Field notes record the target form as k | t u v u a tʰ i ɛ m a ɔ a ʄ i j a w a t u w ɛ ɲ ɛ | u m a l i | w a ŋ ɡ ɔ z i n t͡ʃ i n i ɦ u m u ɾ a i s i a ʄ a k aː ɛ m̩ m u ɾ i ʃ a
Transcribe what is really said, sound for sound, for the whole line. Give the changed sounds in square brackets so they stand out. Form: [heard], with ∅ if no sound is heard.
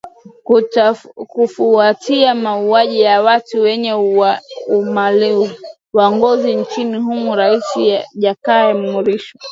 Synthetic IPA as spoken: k | [k] u [f] u a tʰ i [a] m a [u] a ʄ i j a w a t u w ɛ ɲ ɛ | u m a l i | w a ŋ ɡ ɔ z i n t͡ʃ i n i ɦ u m u ɾ a i s i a ʄ a k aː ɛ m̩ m u ɾ i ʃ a